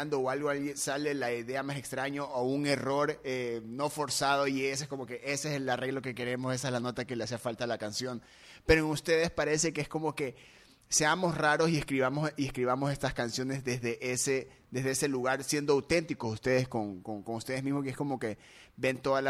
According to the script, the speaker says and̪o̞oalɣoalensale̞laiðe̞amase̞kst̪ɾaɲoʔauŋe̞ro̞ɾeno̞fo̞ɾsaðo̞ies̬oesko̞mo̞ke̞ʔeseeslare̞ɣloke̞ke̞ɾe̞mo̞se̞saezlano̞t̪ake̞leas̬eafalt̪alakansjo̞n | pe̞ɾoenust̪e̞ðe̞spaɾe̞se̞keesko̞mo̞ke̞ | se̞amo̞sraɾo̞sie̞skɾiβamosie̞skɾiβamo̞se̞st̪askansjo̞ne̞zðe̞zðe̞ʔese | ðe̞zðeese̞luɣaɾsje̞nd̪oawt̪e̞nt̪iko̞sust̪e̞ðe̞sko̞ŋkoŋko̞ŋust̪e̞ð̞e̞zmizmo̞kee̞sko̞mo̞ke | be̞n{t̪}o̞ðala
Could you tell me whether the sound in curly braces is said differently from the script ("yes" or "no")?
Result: no